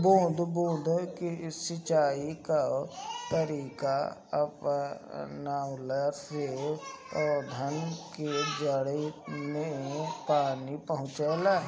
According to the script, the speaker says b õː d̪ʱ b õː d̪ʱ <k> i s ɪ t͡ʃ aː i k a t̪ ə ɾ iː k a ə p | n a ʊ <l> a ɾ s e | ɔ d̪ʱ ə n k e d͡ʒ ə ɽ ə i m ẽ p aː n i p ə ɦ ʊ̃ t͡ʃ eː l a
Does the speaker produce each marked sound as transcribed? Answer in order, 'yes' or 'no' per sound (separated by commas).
yes, yes